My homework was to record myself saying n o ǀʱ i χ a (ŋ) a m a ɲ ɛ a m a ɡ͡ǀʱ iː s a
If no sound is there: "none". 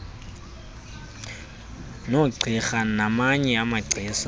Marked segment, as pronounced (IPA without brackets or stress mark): n